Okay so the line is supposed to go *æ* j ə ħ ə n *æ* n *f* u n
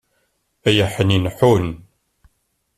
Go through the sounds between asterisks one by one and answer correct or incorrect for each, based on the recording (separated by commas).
correct, incorrect, incorrect